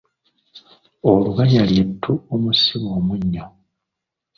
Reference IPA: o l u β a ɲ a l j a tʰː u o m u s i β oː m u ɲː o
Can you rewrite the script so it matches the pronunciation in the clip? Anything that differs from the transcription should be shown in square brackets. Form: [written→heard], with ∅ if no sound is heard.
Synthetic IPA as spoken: o l u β a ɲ a l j [a→e] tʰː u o m u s i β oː m u ɲː o